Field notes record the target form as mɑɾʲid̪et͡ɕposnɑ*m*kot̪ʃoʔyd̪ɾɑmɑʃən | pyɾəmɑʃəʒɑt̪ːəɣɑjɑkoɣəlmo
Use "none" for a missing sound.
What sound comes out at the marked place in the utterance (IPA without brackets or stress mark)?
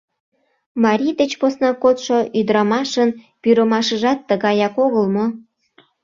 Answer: none